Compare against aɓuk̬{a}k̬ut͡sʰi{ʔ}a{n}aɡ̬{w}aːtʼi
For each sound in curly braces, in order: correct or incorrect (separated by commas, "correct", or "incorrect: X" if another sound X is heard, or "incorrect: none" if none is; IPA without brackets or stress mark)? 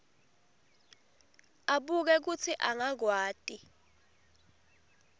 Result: incorrect: ɛ, correct, incorrect: ŋ, correct